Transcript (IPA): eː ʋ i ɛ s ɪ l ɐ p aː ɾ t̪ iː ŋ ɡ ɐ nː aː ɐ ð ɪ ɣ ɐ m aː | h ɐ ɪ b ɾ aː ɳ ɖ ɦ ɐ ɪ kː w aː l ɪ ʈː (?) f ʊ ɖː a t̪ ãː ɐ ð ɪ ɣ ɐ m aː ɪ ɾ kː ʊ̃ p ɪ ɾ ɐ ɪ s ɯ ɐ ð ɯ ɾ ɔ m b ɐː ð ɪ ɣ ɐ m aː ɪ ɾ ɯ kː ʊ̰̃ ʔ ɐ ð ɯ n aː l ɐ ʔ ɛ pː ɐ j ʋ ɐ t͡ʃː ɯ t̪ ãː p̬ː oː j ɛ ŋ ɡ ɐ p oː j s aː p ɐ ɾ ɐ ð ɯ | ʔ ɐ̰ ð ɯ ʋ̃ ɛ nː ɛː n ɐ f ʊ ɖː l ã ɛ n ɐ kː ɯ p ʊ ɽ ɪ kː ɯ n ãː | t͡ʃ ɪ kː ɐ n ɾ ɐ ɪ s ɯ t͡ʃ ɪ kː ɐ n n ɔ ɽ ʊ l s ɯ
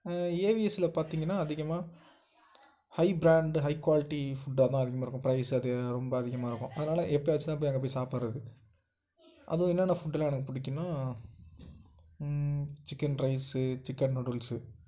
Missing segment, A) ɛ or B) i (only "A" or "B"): B